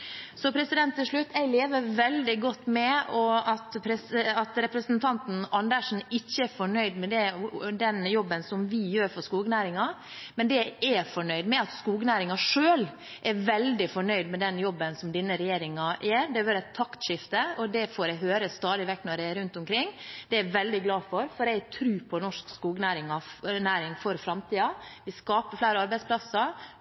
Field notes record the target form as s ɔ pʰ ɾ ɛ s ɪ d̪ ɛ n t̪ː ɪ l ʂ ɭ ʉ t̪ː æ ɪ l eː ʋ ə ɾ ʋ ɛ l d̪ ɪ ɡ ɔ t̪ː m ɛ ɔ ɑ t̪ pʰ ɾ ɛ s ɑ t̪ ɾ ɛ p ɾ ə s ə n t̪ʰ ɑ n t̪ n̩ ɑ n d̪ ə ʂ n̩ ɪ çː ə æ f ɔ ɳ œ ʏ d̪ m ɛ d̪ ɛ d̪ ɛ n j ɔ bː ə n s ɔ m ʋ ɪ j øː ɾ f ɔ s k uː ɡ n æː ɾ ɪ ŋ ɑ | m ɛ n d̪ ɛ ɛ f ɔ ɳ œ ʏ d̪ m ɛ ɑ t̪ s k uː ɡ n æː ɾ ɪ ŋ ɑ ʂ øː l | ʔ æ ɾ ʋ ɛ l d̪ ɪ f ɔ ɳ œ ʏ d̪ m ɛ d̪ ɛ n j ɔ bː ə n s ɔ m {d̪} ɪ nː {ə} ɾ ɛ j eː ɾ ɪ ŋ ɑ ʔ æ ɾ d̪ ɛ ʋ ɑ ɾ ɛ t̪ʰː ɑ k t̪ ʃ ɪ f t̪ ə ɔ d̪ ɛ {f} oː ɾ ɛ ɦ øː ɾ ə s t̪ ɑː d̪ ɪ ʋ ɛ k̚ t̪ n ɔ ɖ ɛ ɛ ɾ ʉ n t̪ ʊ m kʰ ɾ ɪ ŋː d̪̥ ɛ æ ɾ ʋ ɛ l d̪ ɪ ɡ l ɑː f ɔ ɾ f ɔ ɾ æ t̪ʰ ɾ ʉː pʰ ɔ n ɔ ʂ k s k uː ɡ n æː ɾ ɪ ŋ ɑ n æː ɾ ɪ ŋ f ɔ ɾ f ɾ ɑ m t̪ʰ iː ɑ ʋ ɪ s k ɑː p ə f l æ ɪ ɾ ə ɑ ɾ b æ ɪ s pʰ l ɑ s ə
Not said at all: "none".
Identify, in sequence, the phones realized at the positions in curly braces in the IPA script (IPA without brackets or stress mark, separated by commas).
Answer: d̪, ə, f